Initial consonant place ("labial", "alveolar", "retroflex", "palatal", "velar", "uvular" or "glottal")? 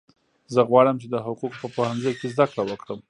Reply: alveolar